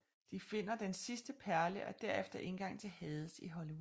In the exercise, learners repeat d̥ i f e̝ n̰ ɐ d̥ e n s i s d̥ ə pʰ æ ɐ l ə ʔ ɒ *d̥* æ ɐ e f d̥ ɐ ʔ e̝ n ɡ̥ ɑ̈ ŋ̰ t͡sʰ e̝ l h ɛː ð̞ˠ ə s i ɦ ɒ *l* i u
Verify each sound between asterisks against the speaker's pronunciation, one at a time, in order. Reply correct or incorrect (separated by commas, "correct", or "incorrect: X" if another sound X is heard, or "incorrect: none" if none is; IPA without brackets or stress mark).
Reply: correct, correct